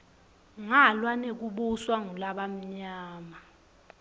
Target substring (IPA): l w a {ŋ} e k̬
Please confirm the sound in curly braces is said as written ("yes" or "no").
no